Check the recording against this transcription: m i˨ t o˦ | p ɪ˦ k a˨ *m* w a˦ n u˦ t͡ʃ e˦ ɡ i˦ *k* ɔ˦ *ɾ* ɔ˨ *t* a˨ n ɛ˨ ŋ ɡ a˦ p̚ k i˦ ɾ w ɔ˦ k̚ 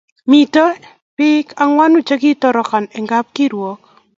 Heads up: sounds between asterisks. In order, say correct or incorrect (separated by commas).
incorrect, incorrect, correct, incorrect